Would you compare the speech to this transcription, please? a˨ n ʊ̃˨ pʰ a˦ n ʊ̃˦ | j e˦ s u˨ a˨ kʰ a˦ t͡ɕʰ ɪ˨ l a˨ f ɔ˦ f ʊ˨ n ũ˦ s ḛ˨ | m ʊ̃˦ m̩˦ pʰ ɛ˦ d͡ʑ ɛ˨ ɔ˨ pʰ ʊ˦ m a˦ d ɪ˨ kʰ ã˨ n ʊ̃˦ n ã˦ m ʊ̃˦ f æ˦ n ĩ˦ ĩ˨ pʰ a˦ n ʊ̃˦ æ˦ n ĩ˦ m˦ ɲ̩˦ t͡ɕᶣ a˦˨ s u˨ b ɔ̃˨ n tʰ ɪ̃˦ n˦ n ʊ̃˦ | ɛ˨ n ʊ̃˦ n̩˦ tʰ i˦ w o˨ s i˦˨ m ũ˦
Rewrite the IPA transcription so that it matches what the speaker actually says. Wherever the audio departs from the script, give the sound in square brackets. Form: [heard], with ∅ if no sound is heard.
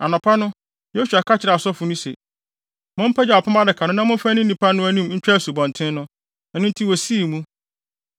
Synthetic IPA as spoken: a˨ n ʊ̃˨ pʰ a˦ n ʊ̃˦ | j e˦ s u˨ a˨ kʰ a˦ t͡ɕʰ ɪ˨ [ɾ] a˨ [s] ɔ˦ f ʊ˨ n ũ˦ s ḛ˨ | m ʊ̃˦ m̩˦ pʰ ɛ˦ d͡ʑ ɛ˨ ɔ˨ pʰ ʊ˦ m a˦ d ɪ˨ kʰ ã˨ n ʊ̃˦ n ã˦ m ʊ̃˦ f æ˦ n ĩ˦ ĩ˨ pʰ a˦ n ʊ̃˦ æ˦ n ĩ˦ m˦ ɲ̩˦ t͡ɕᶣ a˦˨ s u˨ b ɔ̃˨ n tʰ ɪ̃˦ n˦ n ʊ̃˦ | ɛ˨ n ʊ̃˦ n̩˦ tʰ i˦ w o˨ s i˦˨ m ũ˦